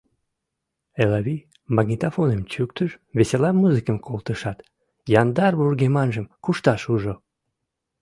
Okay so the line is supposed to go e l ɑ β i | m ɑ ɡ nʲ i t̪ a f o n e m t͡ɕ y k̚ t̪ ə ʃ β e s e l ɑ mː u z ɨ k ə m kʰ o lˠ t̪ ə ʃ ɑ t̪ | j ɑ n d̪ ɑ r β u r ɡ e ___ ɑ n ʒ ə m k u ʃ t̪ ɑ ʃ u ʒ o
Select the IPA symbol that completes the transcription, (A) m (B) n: A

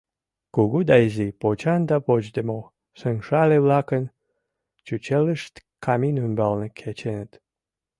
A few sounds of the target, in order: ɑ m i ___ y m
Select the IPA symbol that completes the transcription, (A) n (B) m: A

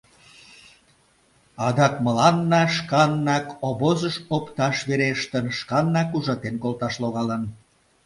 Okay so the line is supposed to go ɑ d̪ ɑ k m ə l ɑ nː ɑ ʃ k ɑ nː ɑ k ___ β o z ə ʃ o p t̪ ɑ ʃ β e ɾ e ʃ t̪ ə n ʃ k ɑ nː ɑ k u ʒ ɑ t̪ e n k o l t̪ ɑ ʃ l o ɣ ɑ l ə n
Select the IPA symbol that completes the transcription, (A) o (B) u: A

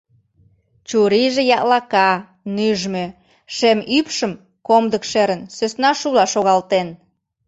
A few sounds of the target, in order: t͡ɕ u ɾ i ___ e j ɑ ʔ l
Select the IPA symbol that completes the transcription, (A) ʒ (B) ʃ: A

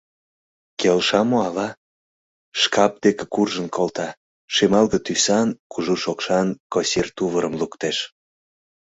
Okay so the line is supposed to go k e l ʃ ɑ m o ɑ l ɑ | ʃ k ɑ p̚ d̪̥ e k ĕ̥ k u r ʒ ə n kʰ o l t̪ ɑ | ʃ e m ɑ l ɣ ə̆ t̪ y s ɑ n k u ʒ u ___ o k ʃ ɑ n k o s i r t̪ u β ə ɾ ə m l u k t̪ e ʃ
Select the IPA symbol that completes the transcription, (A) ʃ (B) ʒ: A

